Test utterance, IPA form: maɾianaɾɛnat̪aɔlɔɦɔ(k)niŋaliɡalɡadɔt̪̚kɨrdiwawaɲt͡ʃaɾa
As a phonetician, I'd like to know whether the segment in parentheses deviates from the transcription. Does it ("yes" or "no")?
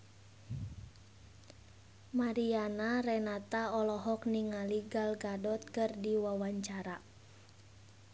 no